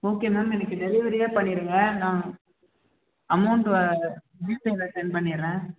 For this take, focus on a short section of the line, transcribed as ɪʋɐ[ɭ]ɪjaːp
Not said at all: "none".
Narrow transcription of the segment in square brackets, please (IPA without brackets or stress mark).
ɾ